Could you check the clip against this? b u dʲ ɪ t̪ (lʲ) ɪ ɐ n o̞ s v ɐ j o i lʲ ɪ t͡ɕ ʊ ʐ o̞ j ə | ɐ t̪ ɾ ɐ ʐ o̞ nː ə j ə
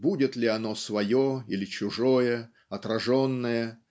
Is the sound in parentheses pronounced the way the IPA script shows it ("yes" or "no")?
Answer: yes